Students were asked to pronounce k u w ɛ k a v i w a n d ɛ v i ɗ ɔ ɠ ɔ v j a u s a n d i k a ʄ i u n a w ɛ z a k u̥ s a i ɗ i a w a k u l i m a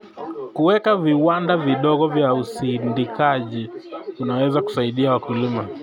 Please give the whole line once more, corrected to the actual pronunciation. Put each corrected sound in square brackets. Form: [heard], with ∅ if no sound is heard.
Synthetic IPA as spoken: k u w ɛ k a v i w a n d [a] v i ɗ ɔ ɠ ɔ v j a u s [i] n d i k a ʄ i u n a w ɛ z a k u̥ s a i ɗ i a w a k u l i m a